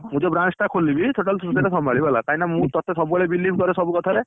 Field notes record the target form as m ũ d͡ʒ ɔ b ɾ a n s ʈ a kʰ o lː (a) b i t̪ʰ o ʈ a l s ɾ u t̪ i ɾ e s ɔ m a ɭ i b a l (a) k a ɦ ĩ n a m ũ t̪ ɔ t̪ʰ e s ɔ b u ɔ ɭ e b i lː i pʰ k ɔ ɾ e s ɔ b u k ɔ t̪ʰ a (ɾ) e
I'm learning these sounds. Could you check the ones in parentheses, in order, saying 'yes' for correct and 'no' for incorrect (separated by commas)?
no, yes, yes